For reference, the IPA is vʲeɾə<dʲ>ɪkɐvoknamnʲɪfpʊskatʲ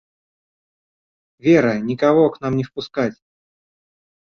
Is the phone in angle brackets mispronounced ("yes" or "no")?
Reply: yes